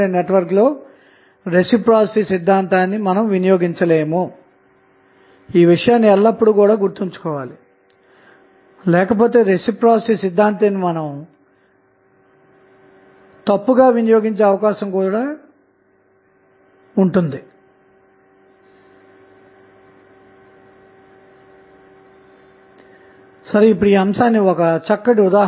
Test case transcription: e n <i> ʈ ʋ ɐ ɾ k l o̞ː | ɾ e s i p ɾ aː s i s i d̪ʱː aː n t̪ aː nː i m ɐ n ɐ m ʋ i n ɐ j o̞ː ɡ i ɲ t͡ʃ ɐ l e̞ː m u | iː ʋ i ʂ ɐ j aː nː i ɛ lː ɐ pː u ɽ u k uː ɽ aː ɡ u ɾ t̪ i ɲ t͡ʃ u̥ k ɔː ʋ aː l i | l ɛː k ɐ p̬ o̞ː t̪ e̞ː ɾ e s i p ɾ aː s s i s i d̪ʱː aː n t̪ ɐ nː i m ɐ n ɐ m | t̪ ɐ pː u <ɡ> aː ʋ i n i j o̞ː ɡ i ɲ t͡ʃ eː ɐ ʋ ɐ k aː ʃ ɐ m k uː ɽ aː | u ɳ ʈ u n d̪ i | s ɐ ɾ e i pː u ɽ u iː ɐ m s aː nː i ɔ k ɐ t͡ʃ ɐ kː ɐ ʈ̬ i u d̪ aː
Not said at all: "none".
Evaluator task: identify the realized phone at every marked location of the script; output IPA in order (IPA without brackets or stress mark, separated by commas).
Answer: e, ɡ